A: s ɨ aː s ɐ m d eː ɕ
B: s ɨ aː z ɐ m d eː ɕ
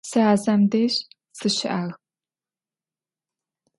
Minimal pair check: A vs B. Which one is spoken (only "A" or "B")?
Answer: B